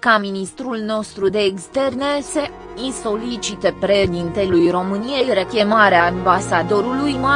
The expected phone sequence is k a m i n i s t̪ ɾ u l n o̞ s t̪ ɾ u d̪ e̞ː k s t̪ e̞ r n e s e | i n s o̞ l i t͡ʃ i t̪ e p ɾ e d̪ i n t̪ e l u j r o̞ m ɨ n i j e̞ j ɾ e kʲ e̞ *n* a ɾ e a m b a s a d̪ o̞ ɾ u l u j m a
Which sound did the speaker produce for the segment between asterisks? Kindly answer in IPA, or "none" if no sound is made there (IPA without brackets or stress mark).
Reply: m